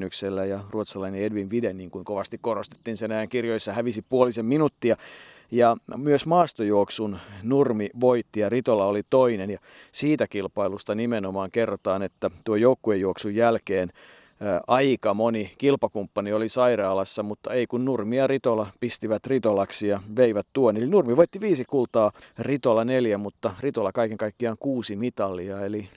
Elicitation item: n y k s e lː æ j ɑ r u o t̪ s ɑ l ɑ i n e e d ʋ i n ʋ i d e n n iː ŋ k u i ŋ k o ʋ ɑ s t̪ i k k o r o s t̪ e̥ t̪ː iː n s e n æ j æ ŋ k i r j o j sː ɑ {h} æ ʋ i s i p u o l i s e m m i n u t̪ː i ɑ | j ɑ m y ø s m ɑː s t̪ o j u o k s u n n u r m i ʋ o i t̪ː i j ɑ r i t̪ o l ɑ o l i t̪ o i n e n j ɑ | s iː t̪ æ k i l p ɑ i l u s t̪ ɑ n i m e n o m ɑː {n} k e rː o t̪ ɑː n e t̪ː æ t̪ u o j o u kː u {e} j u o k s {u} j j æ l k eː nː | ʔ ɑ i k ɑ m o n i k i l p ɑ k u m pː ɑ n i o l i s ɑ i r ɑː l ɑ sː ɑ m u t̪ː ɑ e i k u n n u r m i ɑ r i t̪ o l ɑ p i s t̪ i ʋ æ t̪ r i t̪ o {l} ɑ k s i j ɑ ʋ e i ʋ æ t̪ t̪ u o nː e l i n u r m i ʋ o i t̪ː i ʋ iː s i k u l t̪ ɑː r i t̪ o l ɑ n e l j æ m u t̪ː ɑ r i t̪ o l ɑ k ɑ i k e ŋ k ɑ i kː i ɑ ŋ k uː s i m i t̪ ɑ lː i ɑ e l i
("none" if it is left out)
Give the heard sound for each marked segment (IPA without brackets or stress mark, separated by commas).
h, ŋ, e, u, l